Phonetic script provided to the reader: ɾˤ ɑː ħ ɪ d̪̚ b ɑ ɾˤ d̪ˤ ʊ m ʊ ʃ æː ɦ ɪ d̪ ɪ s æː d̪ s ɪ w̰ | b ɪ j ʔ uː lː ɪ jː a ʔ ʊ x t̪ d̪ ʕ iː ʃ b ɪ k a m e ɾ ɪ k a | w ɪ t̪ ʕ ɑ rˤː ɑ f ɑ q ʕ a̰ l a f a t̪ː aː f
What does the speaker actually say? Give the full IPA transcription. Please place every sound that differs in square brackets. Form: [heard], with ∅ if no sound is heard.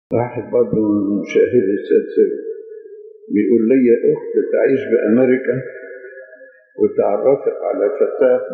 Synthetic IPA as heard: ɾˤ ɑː ħ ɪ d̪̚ b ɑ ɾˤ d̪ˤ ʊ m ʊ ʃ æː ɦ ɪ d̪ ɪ s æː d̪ s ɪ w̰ | b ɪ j ʔ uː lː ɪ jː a ʔ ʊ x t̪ [t̪] ʕ iː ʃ b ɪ [ʔ] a m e ɾ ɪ k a | w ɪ t̪ ʕ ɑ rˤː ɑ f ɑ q ʕ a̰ l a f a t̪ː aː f

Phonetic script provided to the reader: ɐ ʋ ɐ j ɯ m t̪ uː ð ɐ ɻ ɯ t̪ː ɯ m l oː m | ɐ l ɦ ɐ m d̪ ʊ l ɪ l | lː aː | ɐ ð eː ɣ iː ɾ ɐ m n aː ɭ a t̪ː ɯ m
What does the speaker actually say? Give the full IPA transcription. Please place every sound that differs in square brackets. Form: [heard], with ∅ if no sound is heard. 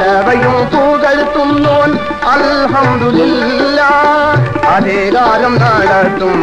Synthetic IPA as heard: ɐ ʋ ɐ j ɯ m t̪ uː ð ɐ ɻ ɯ t̪ː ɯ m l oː [n] | ɐ l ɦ ɐ m d̪ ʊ l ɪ l | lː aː | ɐ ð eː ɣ [aː] ɾ ɐ m n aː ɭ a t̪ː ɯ m

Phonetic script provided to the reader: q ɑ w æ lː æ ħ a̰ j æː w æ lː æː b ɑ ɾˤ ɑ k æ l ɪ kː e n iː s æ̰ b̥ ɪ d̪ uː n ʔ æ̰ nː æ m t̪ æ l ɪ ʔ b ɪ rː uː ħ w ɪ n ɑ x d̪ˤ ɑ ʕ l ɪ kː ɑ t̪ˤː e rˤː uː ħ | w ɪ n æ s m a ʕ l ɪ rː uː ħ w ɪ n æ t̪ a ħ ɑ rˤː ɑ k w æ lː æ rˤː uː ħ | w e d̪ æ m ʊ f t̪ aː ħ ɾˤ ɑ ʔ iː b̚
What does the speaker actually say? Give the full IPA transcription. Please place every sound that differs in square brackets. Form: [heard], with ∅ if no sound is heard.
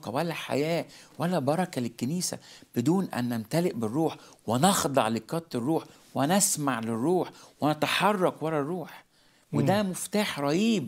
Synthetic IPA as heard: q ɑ w æ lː æ ħ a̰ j æː w æ lː [æ] b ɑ ɾˤ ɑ k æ l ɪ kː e n iː s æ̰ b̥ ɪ d̪ uː n ʔ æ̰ nː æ m t̪ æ l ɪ ʔ b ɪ rː uː ħ w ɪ n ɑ x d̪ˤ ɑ ʕ l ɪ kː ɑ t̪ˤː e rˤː uː ħ | w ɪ n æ s m a ʕ l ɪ rː uː ħ w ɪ n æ t̪ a ħ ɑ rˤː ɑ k w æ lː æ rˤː uː ħ | w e d̪ æ m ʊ f t̪ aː ħ ɾˤ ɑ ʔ iː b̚

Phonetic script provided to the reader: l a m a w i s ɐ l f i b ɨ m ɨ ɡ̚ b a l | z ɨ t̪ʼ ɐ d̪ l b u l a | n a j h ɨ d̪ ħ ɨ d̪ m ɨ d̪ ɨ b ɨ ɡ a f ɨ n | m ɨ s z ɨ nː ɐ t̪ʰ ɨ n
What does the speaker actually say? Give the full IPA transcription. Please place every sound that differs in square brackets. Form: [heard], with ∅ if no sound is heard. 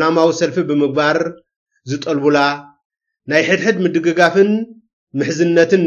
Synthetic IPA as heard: l a m a w i s ɐ l f i b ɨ m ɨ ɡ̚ b a [ɾ] | z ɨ t̪ʼ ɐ [∅] l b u l a | n a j [ħ] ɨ d̪ ħ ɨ d̪ m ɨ d̪ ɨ [ɡ] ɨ ɡ a f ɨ n | m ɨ [ħ] z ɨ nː ɐ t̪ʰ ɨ n

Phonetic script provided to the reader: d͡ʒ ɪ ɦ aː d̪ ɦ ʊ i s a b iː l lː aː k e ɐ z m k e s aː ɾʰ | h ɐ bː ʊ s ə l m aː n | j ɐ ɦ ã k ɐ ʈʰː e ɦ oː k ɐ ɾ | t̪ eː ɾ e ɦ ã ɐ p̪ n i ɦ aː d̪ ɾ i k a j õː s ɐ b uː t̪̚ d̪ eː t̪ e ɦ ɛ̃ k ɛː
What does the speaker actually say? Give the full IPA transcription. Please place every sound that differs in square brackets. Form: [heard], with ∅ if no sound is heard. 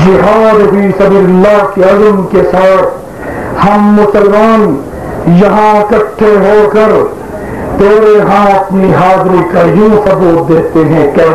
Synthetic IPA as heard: d͡ʒ ɪ ɦ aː d̪ ɦ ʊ i s [ɐ] b iː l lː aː k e ɐ z m k e s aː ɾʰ | h ɐ [mː] ʊ s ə l m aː n | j ɐ ɦ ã k ɐ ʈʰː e ɦ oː k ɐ ɾ | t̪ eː ɾ e ɦ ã ɐ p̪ n i ɦ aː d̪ ɾ i k a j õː s ɐ b uː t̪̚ d̪ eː t̪ e ɦ ɛ̃ k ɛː

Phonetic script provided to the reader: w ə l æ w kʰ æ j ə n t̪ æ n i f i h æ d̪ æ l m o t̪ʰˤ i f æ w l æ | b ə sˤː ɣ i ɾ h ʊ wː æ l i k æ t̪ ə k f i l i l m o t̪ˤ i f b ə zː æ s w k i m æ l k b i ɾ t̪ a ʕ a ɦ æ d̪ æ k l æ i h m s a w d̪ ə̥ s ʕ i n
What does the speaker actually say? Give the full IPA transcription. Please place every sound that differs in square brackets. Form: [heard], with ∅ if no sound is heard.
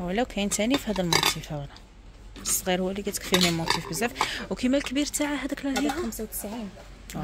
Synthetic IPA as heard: w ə l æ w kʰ æ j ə n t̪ æ n i f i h æ d̪ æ l m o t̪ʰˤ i f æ w l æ | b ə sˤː ɣ i ɾ h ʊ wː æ l i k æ t̪ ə k f i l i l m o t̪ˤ i f b ə zː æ [f] w k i m æ l k b i ɾ t̪ a ʕ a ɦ æ d̪ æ k l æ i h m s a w [t̪] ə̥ s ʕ i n

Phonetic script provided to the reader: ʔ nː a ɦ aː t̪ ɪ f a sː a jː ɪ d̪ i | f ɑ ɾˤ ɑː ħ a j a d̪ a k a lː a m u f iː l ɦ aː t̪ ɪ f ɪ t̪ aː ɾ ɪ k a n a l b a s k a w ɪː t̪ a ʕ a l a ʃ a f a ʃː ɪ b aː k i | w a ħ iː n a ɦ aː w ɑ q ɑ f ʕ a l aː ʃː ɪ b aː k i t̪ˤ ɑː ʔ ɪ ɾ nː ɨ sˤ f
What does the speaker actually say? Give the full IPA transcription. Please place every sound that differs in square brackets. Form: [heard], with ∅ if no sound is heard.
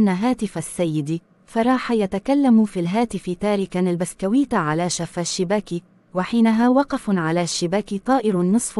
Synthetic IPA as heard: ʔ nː a ɦ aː t̪ ɪ f a sː a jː ɪ d̪ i | f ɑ ɾˤ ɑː ħ a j a [t̪] a k a lː a m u f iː l ɦ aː t̪ ɪ f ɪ t̪ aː ɾ ɪ k a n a l b a s k a w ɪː t̪ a ʕ a l a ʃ a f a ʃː ɪ b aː k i | w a ħ iː n a ɦ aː w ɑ q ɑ f ʕ a l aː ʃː ɪ b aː k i t̪ˤ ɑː ʔ ɪ ɾ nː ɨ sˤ f

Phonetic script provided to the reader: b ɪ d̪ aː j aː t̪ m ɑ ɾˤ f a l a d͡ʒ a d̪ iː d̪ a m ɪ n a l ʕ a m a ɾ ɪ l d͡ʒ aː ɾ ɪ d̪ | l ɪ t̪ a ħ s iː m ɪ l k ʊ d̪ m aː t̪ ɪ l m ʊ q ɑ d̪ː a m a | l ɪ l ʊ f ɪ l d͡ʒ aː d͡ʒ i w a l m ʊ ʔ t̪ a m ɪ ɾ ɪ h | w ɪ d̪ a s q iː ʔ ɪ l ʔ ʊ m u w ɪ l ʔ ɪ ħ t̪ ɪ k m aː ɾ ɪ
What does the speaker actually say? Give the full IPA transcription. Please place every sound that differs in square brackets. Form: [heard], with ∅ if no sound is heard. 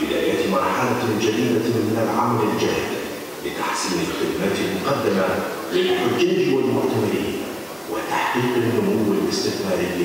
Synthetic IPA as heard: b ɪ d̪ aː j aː t̪ m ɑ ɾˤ [ħ] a l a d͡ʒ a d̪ iː d̪ a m ɪ n a l ʕ a m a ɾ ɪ l d͡ʒ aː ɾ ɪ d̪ | l ɪ t̪ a ħ s iː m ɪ l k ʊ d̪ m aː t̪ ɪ l m ʊ q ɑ d̪ː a m a | l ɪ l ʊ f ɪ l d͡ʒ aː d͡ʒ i w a l m ʊ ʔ t̪ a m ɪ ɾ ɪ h | w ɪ [t̪] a [ħ] q iː [q] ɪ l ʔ ʊ m u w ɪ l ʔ ɪ [s] t̪ ɪ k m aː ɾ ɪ

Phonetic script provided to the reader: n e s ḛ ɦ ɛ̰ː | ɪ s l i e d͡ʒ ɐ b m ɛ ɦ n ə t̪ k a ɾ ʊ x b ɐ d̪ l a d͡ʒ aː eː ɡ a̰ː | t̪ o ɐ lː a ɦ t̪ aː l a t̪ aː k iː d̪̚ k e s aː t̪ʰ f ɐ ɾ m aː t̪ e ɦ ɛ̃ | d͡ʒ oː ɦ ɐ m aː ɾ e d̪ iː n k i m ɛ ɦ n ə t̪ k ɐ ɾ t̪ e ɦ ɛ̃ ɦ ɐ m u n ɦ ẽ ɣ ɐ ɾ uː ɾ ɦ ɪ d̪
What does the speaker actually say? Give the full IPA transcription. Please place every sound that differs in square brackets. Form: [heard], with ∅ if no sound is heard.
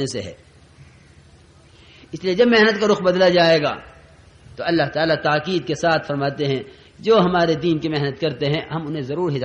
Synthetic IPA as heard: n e s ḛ ɦ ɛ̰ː | ɪ s l i e d͡ʒ ɐ b m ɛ ɦ n ə t̪ k a ɾ ʊ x b ɐ d̪ l a d͡ʒ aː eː ɡ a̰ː | t̪ o ɐ lː a ɦ t̪ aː l a t̪ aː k iː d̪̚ k e s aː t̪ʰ f ɐ ɾ m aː t̪ e ɦ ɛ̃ | d͡ʒ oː ɦ ɐ m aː ɾ e d̪ iː n k i m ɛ ɦ n ə t̪ k ɐ ɾ t̪ e ɦ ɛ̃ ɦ ɐ m [ʊ] n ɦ ẽ [z] ɐ ɾ uː ɾ ɦ ɪ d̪

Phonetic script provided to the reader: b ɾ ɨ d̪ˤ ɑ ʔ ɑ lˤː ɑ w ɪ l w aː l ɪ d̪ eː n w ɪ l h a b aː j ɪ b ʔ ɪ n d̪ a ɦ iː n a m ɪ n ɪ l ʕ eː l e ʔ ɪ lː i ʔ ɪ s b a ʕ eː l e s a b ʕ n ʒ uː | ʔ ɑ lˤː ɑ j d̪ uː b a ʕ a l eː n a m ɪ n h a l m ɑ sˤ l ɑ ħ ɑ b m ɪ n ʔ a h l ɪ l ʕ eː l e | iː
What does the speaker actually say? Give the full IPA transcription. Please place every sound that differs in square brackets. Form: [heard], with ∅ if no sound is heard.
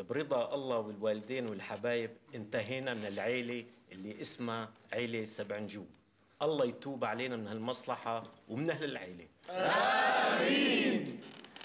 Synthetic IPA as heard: b ɾ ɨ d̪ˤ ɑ ʔ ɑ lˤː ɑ w ɪ l w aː l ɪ d̪ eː n w ɪ l [ħ] a b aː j ɪ b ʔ ɪ n [t̪] a ɦ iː n a m ɪ n ɪ l ʕ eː l e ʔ ɪ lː i ʔ ɪ s [m] a ʕ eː l e s a b ʕ n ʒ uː | ʔ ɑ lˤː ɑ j [t̪] uː b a ʕ a l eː n a m ɪ n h a l m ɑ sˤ l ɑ ħ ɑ [w] m ɪ n ʔ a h l ɪ l ʕ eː l e | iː

